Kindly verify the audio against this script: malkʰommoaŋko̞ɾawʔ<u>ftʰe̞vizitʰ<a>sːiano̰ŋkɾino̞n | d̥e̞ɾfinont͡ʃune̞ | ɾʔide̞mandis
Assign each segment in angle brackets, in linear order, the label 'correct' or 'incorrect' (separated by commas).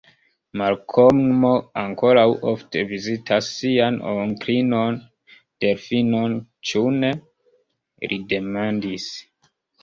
incorrect, correct